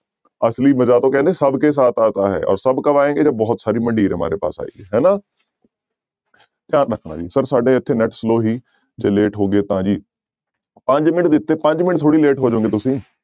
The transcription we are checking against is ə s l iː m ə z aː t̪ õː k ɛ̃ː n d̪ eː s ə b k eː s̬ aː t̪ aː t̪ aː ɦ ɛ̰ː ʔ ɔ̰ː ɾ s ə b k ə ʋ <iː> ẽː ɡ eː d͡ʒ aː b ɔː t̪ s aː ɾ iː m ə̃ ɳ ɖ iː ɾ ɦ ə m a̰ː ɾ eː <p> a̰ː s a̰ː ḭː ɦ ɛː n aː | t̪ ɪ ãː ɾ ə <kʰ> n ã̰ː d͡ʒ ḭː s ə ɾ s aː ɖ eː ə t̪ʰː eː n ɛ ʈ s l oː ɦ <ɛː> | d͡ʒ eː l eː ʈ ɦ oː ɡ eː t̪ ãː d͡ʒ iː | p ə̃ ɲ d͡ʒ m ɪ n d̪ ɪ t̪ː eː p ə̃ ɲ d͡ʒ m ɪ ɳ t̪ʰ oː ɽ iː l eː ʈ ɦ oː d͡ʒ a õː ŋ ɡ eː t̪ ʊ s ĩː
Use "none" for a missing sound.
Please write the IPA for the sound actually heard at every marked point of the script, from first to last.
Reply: aː, p, kʰ, iː

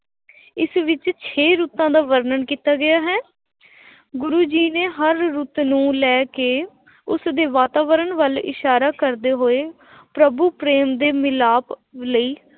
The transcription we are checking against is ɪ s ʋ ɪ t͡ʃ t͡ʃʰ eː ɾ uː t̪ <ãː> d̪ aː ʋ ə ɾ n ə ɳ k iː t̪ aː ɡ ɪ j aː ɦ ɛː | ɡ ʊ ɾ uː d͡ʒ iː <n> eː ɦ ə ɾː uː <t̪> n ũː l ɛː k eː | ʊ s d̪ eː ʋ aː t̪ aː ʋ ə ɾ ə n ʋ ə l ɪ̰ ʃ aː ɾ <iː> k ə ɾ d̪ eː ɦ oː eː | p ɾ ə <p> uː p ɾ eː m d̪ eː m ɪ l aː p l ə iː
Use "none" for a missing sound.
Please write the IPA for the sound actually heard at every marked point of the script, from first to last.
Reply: ãː, n, t̪, aː, b

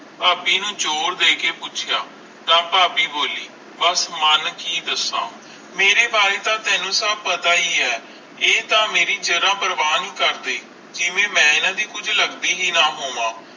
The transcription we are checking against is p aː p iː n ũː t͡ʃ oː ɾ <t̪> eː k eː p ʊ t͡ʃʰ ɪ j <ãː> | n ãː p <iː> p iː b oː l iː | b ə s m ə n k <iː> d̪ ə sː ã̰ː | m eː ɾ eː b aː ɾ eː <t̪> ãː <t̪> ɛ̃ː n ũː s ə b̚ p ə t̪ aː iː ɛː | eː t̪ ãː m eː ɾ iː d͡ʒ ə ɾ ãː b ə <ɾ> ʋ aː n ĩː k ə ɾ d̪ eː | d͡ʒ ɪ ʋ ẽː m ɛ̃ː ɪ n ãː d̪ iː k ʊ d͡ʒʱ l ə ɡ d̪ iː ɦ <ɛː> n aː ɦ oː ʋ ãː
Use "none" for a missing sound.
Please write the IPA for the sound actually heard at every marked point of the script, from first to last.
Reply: d̪, aː, aː, iː, t̪, t̪, ɾ, iː

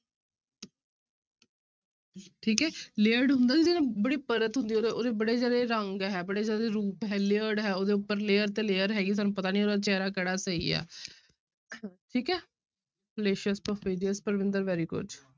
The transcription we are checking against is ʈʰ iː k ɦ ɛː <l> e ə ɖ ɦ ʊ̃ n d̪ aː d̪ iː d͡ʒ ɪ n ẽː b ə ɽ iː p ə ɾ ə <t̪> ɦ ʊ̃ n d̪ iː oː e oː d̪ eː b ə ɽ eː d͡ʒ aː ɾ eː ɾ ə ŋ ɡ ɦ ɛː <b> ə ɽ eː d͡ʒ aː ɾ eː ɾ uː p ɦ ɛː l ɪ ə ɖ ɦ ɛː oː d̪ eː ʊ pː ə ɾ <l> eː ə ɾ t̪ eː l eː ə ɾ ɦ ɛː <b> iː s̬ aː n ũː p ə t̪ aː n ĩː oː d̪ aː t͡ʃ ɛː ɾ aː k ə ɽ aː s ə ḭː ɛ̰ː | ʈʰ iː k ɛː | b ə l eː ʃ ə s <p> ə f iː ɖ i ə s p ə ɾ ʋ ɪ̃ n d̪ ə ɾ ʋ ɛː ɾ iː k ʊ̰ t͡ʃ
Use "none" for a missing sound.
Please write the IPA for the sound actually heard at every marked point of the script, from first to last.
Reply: l, t̪, b, l, ɡ, p

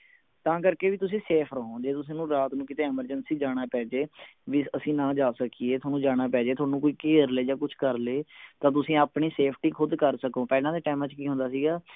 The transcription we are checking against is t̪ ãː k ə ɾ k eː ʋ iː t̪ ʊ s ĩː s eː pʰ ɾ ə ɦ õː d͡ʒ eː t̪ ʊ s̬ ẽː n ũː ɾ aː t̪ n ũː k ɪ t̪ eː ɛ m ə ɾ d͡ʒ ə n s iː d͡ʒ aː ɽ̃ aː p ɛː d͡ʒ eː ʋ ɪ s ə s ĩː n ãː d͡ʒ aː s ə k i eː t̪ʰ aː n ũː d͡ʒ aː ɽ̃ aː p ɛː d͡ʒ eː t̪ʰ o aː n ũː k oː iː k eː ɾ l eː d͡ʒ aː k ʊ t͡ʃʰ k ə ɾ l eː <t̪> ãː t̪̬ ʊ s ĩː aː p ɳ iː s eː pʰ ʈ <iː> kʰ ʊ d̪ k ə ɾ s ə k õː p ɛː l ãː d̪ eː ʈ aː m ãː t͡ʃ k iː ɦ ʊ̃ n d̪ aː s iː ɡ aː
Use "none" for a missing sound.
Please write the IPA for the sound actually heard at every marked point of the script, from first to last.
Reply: t̪, iː

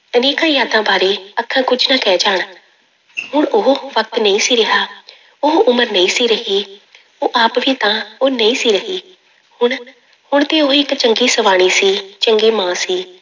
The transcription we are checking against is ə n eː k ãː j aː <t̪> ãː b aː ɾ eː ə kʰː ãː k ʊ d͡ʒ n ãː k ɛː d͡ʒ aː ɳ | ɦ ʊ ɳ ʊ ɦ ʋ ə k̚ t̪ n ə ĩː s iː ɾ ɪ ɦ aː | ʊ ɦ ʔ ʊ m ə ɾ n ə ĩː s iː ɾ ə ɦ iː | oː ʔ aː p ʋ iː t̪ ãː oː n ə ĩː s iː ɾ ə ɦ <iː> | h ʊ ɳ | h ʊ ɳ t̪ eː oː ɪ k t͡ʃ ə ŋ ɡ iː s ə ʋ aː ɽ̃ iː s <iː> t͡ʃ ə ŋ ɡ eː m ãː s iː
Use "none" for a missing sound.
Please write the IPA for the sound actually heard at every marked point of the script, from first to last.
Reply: d̪, iː, iː

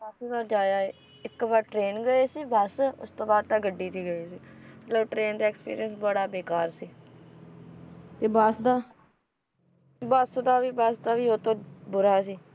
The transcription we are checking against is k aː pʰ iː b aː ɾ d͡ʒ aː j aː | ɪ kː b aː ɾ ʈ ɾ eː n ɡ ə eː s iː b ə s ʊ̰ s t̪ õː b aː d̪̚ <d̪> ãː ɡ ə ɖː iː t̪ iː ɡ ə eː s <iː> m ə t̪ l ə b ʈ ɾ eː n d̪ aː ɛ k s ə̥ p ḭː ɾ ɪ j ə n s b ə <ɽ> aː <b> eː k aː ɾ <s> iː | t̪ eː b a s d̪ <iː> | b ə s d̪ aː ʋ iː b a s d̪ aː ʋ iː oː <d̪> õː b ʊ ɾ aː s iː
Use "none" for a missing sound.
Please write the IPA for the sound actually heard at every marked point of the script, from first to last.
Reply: t̪, iː, ɽ, b, s, aː, t̪

